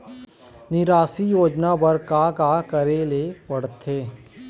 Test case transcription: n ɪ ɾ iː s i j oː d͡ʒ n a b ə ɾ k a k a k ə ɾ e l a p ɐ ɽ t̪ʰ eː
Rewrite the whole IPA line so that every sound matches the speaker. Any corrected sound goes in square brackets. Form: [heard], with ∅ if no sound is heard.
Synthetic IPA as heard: n ɪ ɾ [aː] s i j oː d͡ʒ n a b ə ɾ k a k a k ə ɾ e l [e] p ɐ ɽ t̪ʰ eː